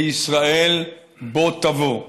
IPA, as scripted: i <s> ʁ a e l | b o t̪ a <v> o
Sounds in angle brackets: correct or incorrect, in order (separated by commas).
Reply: correct, correct